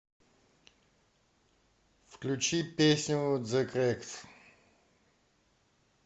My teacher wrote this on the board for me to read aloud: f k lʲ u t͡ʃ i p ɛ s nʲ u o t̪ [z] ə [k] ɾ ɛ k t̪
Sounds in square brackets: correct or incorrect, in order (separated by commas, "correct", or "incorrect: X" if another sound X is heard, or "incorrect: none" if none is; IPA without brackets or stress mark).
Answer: correct, correct